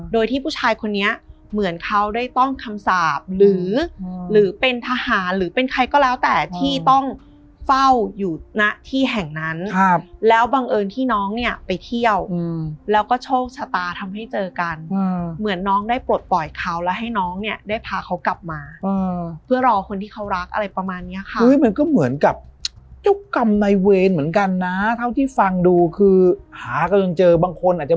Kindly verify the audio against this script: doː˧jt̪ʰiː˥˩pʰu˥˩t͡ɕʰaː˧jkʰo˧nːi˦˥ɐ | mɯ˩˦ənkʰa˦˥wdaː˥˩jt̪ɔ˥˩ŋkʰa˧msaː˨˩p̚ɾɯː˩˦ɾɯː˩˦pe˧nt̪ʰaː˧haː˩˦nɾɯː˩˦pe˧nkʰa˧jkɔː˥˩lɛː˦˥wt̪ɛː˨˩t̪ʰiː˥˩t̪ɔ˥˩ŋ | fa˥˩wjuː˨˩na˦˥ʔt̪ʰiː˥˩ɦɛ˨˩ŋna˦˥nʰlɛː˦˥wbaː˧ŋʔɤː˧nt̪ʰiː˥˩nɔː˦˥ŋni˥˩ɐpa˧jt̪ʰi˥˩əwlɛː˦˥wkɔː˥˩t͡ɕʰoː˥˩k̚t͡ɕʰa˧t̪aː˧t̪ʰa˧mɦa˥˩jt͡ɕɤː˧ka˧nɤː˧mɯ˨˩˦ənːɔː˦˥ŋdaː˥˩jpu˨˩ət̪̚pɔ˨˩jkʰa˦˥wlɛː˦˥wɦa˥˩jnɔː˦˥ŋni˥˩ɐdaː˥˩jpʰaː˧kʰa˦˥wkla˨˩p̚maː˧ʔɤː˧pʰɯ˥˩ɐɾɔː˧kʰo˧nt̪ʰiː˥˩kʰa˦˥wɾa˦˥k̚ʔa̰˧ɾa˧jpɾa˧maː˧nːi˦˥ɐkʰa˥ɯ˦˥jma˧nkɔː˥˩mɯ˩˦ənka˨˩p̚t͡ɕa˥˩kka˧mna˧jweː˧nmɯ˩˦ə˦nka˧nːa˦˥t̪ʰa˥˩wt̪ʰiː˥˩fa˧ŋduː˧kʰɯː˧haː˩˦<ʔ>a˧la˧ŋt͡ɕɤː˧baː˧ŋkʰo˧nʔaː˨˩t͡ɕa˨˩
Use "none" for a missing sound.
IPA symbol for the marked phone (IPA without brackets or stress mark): k